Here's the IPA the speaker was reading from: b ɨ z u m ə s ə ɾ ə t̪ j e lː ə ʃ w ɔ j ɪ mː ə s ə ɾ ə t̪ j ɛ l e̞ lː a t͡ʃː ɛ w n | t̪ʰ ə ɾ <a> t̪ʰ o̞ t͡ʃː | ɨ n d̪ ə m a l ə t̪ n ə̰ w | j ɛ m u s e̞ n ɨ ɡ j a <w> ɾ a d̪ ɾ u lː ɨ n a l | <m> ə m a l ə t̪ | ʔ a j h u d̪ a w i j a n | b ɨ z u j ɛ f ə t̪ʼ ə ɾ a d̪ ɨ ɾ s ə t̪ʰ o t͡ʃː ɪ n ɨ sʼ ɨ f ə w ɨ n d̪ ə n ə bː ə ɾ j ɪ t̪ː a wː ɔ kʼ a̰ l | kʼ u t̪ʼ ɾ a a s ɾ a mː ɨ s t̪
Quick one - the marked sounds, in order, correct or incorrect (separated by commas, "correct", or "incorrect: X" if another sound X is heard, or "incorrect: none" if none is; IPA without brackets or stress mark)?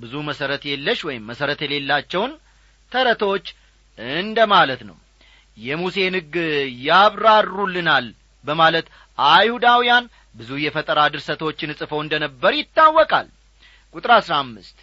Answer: incorrect: ə, incorrect: β, incorrect: b